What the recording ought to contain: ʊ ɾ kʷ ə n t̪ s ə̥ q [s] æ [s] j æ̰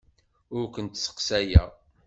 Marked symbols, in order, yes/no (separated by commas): yes, no